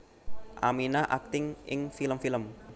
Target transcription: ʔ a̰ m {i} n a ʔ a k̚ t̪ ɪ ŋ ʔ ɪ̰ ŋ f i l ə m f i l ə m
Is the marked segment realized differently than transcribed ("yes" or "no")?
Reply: no